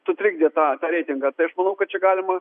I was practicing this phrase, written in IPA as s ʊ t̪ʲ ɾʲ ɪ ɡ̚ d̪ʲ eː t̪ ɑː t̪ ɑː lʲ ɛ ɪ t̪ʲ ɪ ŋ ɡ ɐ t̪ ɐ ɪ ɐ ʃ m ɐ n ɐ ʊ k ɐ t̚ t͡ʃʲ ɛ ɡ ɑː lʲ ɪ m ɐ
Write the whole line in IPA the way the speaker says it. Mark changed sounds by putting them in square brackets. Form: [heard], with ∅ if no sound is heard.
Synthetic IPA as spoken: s ʊ t̪ʲ ɾʲ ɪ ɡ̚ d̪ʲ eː t̪ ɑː t̪ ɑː [ɾʲ] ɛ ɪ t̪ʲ ɪ ŋ ɡ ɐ t̪ ɐ ɪ ɐ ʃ m ɐ n ɐ ʊ k ɐ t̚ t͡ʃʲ ɛ ɡ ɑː lʲ ɪ m ɐ